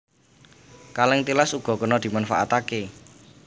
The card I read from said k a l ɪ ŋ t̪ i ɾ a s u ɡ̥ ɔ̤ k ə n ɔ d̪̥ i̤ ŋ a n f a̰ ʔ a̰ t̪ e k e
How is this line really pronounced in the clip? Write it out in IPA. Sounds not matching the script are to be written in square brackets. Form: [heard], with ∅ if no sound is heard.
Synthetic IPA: k a l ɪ ŋ t̪ i [l] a s u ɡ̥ ɔ̤ k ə n ɔ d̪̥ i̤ [m] a n f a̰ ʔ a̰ t̪ [a] k e